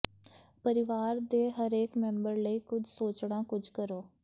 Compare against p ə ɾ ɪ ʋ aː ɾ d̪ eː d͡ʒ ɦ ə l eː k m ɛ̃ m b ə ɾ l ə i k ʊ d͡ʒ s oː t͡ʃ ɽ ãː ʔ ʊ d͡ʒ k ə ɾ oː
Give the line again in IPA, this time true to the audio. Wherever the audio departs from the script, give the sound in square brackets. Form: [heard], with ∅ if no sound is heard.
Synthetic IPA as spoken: p ə ɾ ɪ ʋ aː ɾ d̪ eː [∅] ɦ ə [ɾ] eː k m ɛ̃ m b ə ɾ l ə [iː] k ʊ d͡ʒ s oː t͡ʃ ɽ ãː [k] ʊ d͡ʒ k ə ɾ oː